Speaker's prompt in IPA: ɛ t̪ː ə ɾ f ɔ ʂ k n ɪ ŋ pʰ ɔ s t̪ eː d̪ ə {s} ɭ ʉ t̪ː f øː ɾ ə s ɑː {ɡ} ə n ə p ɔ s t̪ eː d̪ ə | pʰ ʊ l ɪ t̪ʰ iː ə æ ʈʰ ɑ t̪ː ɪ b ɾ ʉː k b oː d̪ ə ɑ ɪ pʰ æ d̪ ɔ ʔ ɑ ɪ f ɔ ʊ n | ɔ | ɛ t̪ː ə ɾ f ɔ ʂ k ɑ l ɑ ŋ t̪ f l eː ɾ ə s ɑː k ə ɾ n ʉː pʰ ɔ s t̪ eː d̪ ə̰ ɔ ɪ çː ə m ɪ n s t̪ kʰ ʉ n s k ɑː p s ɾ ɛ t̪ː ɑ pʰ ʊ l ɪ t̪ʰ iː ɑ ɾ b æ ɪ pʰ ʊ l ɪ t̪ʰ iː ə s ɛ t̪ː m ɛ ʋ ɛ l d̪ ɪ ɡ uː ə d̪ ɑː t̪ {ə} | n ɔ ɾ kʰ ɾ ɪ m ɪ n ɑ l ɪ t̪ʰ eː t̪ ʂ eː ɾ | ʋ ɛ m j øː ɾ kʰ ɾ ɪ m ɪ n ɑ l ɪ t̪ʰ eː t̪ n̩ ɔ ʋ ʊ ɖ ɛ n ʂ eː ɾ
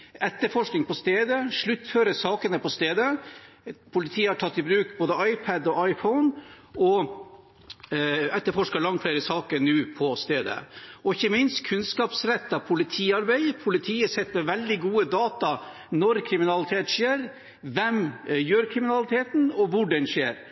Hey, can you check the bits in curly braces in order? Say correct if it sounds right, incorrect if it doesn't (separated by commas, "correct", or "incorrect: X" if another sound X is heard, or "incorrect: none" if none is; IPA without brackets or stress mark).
incorrect: ʂ, incorrect: k, incorrect: ɑ